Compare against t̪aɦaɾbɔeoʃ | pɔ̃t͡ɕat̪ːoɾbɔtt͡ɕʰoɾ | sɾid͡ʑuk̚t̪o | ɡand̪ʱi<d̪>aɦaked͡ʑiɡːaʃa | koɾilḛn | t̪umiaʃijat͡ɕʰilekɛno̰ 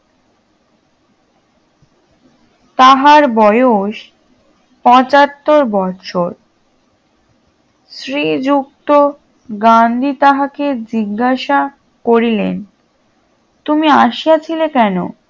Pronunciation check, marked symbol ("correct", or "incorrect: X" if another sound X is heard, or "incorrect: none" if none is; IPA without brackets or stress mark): incorrect: t̪